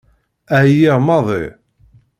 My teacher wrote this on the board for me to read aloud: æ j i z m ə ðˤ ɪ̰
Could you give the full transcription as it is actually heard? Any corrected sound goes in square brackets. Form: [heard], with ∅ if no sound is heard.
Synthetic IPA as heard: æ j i [ʁ] m [ɑ] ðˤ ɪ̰